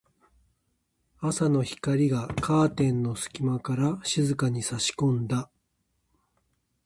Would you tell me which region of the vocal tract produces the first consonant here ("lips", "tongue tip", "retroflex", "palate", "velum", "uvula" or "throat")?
tongue tip